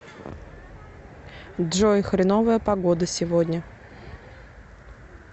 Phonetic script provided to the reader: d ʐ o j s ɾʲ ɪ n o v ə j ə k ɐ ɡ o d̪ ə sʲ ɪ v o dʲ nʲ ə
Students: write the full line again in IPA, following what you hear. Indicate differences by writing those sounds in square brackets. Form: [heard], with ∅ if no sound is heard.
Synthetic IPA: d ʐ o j [x] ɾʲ ɪ n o v ə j ə [p] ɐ ɡ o d̪ ə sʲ ɪ v o dʲ nʲ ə